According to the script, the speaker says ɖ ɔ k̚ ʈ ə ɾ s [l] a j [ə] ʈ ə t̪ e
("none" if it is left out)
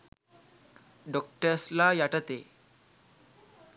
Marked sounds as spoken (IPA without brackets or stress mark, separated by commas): l, a